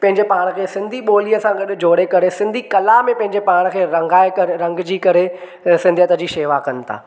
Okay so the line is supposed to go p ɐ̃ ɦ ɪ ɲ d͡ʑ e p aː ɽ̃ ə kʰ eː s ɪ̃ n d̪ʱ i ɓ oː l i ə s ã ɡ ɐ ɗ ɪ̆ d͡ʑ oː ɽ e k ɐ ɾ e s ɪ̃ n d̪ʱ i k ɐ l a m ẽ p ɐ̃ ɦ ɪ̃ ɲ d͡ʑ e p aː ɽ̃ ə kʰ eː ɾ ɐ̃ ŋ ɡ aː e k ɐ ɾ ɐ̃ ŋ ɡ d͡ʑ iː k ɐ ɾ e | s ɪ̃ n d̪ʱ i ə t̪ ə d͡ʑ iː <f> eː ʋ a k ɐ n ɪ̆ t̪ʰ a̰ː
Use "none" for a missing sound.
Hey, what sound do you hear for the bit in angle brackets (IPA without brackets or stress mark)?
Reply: ʃ